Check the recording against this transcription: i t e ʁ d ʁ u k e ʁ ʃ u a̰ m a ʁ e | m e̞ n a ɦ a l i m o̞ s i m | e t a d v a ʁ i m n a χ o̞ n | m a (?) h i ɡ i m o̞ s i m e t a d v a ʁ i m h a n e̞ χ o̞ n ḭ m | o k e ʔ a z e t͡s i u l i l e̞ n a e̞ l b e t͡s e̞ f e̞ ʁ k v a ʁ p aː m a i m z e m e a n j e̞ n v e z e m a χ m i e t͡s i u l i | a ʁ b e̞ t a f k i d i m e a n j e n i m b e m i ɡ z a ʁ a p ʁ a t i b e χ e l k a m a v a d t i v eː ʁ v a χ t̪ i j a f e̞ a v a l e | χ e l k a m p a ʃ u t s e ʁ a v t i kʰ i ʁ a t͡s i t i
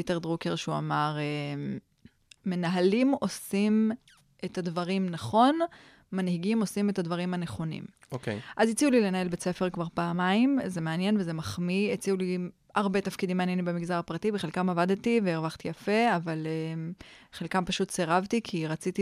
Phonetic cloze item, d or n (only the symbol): n